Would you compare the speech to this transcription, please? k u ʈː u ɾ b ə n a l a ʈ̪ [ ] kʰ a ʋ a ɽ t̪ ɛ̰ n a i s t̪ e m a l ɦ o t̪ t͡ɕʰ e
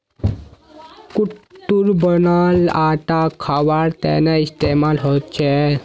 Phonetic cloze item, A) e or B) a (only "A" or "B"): B